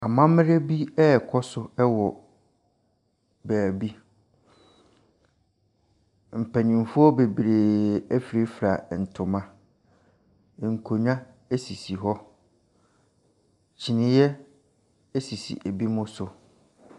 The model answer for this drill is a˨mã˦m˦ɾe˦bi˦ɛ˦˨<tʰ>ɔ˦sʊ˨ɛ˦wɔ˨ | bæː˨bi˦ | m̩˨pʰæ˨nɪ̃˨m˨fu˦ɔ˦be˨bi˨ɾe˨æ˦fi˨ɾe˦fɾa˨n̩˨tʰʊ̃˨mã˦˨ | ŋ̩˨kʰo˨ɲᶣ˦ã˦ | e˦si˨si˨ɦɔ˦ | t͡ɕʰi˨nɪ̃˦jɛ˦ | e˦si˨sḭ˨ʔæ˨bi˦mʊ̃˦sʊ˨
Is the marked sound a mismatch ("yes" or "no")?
yes